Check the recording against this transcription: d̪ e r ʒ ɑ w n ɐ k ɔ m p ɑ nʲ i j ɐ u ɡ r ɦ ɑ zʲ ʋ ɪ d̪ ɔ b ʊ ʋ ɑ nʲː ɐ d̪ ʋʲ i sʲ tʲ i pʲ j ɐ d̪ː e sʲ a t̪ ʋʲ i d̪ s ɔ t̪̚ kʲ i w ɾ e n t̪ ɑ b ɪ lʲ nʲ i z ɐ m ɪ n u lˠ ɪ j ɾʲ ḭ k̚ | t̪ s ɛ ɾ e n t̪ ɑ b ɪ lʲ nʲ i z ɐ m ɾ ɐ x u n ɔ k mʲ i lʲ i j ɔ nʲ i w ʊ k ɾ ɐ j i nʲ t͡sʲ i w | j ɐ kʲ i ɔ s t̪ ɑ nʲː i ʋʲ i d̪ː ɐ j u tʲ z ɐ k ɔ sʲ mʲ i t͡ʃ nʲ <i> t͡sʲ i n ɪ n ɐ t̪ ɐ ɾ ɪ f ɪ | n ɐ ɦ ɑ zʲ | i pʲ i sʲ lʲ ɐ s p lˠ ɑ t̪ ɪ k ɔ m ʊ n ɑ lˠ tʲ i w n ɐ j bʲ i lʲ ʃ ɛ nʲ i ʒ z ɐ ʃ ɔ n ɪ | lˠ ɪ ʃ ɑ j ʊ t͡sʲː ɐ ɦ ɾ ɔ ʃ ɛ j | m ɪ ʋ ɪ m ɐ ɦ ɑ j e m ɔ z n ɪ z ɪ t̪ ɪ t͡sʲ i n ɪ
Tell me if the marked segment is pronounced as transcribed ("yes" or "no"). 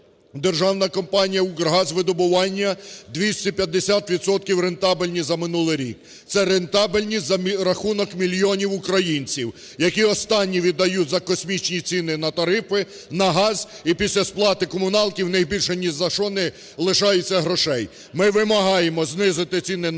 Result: yes